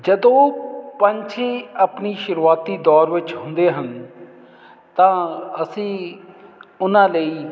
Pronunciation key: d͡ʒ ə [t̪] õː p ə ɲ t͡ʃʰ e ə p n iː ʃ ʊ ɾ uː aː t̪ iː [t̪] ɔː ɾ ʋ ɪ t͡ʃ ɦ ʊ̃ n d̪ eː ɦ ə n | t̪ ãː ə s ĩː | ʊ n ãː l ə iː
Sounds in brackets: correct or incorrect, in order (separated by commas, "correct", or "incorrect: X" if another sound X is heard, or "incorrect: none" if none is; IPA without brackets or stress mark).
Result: incorrect: d̪, incorrect: d̪